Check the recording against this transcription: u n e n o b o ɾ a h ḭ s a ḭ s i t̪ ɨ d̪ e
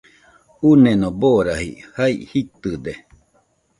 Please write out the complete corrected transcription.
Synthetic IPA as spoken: u n e n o b o ɾ a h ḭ h a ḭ h i t̪ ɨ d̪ e